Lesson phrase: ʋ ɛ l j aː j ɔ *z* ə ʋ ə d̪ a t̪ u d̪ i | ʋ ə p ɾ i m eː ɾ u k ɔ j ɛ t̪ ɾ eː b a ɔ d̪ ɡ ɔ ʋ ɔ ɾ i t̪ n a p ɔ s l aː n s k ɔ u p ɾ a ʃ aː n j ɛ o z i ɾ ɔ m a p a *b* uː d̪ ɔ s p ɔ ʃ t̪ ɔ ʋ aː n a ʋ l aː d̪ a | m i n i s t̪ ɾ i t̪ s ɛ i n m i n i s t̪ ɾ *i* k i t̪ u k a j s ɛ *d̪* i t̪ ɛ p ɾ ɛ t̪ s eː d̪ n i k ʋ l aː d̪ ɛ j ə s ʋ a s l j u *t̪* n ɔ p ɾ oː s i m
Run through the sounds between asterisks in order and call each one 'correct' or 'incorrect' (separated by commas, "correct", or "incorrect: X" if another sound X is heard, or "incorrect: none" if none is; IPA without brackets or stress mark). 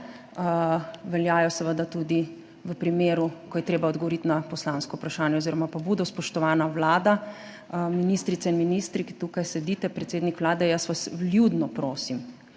incorrect: s, correct, correct, correct, incorrect: d̪